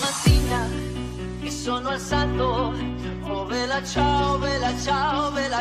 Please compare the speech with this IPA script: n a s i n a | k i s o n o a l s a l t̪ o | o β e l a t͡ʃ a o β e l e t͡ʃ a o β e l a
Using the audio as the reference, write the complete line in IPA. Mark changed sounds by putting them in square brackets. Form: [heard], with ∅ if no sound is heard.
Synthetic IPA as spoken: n a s i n a | k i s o n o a l s a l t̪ o | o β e l a t͡ʃ a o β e l [a] t͡ʃ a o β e l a